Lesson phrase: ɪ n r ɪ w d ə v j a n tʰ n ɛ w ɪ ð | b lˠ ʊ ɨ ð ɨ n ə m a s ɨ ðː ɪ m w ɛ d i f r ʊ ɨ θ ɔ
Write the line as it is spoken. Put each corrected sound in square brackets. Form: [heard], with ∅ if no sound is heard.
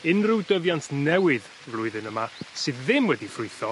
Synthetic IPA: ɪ n r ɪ w d ə v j a n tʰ n ɛ w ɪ ð | [v] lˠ ʊ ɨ ð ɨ n ə m a s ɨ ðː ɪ m w ɛ d i f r ʊ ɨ θ ɔ